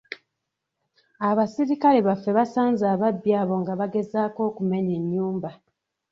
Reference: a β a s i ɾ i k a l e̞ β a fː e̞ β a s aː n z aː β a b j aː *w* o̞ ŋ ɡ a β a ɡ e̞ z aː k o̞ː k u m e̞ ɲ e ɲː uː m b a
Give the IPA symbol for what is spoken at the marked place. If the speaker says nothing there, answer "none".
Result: β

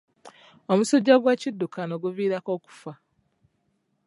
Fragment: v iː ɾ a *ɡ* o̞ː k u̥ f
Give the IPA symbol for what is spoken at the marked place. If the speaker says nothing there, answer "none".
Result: k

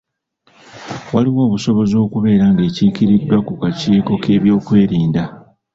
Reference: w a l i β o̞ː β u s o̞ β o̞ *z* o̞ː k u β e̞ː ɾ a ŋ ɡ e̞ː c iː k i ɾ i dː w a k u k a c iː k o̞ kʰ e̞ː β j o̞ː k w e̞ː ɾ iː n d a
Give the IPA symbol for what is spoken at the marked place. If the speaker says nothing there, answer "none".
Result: z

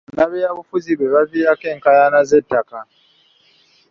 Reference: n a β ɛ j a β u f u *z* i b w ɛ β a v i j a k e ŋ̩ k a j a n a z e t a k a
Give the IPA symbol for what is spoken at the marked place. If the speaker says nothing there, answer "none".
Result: z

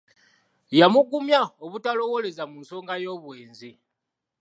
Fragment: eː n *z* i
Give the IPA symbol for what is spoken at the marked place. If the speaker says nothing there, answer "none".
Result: z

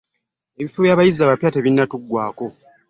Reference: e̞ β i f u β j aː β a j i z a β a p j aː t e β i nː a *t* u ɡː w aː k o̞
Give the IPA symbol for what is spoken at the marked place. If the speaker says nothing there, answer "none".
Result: t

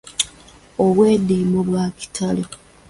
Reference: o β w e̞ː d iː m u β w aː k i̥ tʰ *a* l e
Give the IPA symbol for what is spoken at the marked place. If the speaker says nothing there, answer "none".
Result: a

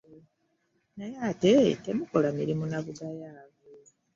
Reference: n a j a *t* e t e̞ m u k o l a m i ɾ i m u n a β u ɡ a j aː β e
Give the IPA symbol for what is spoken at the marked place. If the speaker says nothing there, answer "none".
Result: t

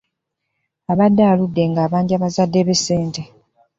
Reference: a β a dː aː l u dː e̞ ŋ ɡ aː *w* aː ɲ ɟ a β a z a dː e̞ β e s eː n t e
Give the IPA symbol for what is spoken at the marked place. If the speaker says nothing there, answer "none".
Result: β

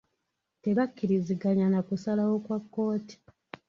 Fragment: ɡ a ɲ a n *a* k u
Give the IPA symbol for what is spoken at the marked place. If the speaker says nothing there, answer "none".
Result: a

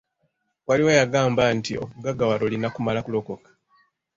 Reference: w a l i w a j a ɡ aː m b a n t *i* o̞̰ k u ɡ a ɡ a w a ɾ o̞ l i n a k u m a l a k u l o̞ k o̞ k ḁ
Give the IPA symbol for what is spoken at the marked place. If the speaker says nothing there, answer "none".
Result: i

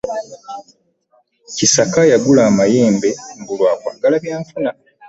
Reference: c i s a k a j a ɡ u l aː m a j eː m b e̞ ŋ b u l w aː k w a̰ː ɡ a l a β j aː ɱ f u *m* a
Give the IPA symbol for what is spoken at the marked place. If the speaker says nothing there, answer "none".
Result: n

